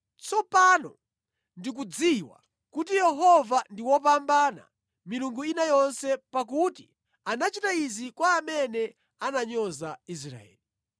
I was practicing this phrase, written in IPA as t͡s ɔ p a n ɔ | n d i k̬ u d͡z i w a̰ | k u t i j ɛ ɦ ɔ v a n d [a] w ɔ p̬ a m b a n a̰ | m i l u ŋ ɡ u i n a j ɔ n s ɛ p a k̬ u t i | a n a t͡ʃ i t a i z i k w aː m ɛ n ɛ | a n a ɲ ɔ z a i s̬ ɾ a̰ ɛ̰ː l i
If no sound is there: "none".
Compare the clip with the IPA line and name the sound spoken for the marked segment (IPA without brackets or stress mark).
i